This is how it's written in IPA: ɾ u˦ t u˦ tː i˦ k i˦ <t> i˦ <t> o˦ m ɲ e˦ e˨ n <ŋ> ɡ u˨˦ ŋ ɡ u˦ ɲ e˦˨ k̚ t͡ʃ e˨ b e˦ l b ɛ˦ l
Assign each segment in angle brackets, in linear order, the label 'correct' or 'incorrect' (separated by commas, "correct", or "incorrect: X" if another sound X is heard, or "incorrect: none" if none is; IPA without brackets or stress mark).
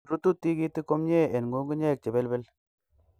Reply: correct, incorrect: k, correct